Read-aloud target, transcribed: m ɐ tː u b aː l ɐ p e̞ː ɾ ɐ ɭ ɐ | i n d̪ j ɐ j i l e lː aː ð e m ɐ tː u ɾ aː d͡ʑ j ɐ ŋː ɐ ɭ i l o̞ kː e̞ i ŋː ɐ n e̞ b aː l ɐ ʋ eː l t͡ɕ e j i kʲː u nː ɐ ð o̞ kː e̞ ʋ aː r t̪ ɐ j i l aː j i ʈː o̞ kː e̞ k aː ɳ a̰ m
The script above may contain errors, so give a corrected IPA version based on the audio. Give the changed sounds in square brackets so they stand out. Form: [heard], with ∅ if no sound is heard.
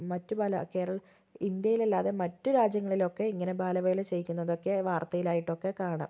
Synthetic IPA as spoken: m ɐ tː u b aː l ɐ [k] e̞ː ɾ ɐ ɭ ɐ | i n d̪ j ɐ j i l e lː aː ð e m ɐ tː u ɾ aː d͡ʑ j ɐ ŋː ɐ ɭ i l o̞ kː e̞ i ŋː ɐ n e̞ b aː l ɐ ʋ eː l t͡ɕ e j i kʲː u nː ɐ ð o̞ kː e̞ ʋ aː r t̪ ɐ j i l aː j i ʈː o̞ kː e̞ k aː ɳ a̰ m